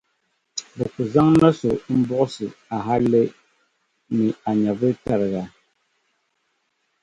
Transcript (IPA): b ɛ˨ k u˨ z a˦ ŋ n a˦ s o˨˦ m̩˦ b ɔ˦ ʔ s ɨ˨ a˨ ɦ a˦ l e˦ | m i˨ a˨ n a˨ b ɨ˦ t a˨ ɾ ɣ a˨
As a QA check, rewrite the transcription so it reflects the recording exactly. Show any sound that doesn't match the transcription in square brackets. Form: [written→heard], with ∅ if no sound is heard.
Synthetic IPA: b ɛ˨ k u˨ z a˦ ŋ n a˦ s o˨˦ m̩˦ b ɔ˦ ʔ s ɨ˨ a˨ ɦ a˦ l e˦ | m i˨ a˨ [n→ɲ] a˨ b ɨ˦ t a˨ ɾ ɣ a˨